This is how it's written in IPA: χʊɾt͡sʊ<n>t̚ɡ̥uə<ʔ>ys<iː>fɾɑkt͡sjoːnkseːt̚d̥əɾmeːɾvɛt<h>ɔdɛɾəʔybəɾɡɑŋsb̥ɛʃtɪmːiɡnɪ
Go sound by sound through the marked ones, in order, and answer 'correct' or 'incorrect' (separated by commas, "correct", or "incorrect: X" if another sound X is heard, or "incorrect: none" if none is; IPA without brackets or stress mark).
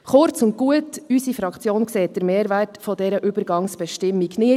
correct, incorrect: t, incorrect: i, incorrect: f